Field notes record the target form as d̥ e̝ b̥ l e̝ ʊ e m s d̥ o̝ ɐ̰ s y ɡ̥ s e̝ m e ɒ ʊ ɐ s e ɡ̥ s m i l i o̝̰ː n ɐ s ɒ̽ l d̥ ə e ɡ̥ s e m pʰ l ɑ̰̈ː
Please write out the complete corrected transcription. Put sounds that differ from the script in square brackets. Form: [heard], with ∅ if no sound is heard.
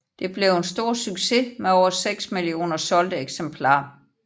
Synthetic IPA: d̥ e̝ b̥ l e̝ ʊ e [n] s d̥ o̝ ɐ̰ s y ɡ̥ s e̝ m e ɒ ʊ ɐ s e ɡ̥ s m i l i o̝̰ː n ɐ s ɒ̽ l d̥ ə e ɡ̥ s e m pʰ l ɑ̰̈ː